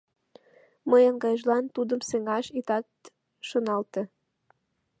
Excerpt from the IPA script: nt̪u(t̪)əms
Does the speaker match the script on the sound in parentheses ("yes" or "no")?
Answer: no